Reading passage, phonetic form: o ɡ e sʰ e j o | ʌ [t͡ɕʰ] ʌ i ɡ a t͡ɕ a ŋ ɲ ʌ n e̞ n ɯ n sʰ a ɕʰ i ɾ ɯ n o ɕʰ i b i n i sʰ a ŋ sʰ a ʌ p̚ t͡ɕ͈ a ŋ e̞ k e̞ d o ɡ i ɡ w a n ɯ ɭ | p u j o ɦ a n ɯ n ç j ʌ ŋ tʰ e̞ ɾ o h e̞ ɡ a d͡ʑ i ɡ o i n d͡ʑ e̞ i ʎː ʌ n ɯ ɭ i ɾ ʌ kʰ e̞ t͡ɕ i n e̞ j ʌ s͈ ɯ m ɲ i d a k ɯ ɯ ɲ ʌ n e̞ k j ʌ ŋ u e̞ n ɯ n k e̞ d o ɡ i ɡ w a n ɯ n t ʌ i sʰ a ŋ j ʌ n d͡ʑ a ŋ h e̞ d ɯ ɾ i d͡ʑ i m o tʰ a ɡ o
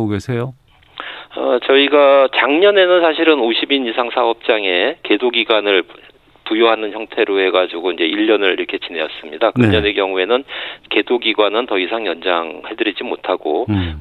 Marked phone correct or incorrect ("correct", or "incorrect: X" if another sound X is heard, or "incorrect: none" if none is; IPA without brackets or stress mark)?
incorrect: t͡ɕ